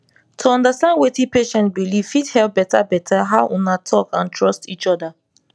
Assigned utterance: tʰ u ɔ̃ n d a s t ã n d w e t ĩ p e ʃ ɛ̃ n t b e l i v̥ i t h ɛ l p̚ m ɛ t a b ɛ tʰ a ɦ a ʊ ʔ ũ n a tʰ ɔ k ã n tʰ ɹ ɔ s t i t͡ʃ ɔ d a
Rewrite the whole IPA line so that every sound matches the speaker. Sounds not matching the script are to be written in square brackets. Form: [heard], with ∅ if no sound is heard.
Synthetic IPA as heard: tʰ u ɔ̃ n d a s t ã n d w e t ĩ p e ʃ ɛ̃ n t b [i] l i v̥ i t h ɛ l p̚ [b] ɛ t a b ɛ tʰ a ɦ a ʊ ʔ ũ n a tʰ ɔ k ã n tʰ ɹ ɔ s t i t͡ʃ ɔ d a